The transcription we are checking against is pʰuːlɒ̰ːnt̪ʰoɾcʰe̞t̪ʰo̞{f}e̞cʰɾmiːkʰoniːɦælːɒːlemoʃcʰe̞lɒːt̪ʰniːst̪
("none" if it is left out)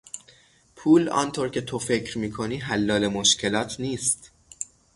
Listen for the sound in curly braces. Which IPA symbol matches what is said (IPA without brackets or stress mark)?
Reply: f